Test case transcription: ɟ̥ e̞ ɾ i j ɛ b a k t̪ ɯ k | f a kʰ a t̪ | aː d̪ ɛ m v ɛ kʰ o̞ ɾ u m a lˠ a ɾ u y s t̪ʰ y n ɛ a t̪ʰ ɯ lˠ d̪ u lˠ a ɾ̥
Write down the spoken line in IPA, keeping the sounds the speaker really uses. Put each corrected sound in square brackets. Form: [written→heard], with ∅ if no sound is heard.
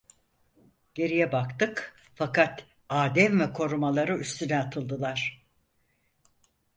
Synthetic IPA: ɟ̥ e̞ ɾ i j ɛ b a k t̪ ɯ k | f a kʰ a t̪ | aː d̪ ɛ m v ɛ kʰ o̞ ɾ u m a lˠ a ɾ [u→ɯ] y s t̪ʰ y n ɛ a t̪ʰ ɯ lˠ d̪ [u→ɯ] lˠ a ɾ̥